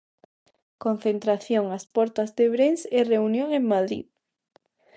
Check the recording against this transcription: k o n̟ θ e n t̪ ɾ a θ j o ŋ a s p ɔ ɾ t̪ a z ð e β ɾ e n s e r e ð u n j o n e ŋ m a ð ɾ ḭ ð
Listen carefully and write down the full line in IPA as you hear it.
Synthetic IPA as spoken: k o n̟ θ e n t̪ ɾ a θ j o ŋ a s p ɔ ɾ t̪ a z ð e β ɾ e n s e r e u n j o ŋ e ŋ m a ð ɾ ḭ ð